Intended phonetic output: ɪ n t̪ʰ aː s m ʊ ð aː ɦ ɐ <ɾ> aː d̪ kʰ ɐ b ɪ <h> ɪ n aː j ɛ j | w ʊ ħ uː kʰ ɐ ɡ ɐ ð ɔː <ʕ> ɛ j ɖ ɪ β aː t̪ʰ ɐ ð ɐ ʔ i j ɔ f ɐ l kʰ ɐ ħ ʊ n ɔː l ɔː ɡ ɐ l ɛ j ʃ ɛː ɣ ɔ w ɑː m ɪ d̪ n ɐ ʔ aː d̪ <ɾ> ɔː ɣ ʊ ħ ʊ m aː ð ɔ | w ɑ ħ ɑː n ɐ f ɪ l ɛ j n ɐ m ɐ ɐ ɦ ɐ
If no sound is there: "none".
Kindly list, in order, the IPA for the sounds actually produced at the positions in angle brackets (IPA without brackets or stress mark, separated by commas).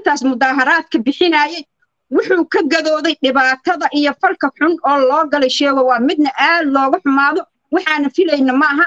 ɾ, ħ, ð, l